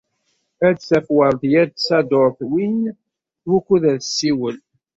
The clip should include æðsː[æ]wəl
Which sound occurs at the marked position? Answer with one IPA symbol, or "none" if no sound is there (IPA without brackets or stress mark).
i